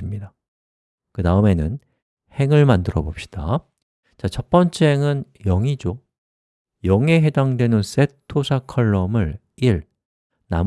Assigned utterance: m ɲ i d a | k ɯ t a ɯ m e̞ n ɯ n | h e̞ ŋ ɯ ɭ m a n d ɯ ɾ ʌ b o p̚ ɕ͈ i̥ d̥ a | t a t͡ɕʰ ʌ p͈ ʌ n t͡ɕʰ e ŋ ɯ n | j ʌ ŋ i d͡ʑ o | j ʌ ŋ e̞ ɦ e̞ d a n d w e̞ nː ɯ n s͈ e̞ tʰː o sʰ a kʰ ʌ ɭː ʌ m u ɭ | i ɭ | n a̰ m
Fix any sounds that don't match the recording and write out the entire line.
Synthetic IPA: m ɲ i d a | k ɯ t a ɯ m e̞ n ɯ n | h e̞ ŋ ɯ ɭ m a n d ɯ ɾ ʌ b o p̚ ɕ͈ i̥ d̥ a | t͡ɕ a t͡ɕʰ ʌ p͈ ʌ n t͡ɕʰ e ŋ ɯ n | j ʌ ŋ i d͡ʑ o | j ʌ ŋ e̞ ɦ e̞ d a ŋ d w e̞ n ɯ n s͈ e̞ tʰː o sʰ a kʰ ʌ ɭː ʌ m ɯ ɭ | i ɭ | n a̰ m